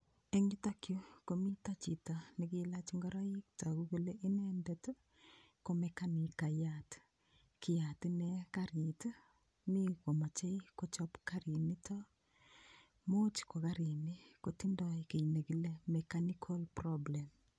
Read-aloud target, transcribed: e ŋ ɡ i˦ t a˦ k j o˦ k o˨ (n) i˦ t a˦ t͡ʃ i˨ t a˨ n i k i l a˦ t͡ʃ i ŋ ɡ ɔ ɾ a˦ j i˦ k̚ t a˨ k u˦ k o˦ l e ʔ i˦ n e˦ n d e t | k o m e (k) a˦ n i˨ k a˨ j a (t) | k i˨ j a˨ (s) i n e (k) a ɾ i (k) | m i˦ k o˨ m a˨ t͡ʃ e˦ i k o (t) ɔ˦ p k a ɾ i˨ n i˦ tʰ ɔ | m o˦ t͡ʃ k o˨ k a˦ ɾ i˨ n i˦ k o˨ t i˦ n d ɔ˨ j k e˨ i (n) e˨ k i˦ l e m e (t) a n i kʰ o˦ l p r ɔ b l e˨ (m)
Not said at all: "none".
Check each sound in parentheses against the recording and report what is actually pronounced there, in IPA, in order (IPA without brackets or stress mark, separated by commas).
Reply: m, k, t, t, k, t, t͡ʃ, n, k, m